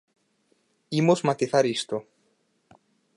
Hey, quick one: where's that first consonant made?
lips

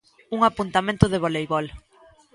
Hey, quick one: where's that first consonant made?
velum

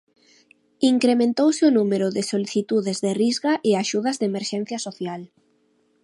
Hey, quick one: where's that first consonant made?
velum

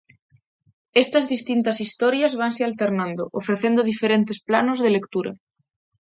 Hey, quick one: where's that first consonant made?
tongue tip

